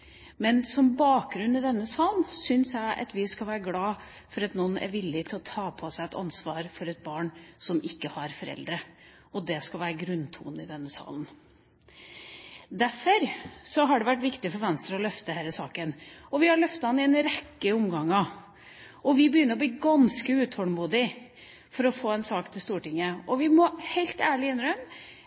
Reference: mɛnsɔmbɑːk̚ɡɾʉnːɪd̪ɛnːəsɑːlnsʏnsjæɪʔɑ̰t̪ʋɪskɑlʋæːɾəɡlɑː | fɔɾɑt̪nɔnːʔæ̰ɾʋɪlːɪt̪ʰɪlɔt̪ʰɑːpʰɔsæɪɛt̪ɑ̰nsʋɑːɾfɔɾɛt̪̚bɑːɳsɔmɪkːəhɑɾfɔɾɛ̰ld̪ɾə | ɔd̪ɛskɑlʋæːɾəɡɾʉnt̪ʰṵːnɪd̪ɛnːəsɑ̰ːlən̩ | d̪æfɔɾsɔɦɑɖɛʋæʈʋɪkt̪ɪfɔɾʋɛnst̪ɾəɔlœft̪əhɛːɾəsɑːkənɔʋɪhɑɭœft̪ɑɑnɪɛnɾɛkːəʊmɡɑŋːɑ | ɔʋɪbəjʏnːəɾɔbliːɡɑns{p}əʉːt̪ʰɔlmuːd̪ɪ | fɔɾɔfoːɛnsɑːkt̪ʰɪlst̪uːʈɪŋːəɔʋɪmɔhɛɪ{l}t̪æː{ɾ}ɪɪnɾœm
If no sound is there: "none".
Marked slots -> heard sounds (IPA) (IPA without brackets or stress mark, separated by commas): k, l, ɭ